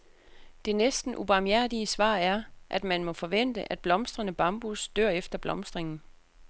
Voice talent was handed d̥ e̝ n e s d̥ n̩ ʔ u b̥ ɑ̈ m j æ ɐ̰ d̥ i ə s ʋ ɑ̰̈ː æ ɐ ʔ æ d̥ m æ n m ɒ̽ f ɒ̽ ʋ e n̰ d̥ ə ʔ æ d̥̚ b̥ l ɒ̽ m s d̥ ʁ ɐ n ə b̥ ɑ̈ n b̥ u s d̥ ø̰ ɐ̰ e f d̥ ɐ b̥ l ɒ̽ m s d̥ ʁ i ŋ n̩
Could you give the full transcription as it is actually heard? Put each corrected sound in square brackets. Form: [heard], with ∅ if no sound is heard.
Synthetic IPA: d̥ e̝ n e s d̥ n̩ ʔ u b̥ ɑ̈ m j æ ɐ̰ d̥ i ə s ʋ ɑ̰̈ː æ ɐ ʔ æ d̥ m æ n m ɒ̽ f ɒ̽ ʋ e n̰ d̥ ə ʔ æ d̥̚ b̥ l ɒ̽ m s d̥ ʁ ɐ n ə b̥ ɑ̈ [m] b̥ u s d̥ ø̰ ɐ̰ e f d̥ ɐ b̥ l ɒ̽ m s d̥ ʁ [e] ŋ n̩